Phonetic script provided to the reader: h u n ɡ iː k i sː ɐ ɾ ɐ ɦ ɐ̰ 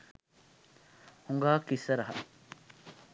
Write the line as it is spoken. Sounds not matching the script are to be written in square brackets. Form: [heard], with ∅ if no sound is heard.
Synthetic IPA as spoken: h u [ŋ] ɡ [aː] k i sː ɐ ɾ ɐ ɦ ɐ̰